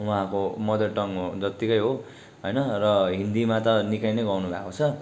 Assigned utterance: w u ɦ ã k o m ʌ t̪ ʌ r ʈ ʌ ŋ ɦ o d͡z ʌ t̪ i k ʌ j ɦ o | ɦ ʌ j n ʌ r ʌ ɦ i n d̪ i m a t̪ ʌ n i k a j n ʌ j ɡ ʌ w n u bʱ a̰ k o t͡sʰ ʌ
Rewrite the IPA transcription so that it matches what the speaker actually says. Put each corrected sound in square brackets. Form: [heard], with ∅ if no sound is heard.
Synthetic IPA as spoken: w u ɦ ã k o m ʌ [d̪] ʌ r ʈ ʌ ŋ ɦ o d͡z ʌ t̪ i k ʌ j ɦ o | ɦ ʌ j n ʌ r ʌ ɦ i n d̪ i m a t̪ ʌ n i k a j n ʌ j ɡ ʌ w n u bʱ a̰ k o t͡sʰ ʌ